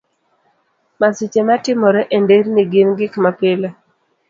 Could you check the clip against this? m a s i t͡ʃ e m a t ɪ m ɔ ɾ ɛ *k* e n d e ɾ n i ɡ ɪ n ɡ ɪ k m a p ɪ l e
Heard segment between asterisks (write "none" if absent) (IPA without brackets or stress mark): ʔ